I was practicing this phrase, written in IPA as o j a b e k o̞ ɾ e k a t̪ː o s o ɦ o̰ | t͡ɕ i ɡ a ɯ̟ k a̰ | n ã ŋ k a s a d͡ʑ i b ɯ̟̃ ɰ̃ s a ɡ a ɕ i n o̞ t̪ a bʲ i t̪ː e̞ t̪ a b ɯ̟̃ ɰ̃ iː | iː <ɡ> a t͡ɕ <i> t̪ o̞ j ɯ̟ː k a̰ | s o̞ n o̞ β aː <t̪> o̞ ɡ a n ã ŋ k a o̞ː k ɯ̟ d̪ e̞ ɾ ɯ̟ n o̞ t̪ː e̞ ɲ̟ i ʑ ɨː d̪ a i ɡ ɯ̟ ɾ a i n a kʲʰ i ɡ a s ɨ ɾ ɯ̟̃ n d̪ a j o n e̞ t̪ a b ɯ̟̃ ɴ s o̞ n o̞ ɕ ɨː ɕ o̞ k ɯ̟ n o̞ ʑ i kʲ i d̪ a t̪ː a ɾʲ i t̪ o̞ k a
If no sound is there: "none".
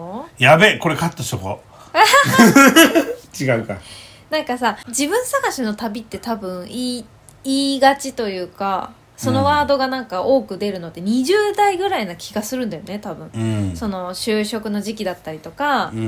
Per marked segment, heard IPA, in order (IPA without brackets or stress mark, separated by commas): ɡ, i, d̪